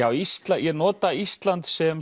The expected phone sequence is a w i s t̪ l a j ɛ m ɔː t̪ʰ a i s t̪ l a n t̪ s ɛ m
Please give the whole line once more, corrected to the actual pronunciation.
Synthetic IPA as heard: a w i s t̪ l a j ɛ n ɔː t̪ a i s t̪ l a n t̪ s ɛ m